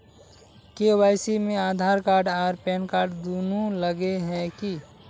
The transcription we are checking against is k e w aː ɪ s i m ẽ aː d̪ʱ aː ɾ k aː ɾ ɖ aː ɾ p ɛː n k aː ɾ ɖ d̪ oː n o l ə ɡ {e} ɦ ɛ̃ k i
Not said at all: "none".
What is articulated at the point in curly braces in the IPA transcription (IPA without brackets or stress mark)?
e